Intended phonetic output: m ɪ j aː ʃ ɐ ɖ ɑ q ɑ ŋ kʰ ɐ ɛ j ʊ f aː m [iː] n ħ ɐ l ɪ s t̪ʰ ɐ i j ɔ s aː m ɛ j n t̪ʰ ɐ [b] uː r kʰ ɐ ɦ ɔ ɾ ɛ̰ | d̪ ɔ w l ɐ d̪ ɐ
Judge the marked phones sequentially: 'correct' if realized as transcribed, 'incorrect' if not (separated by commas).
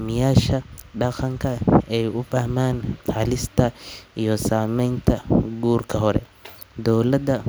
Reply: incorrect, incorrect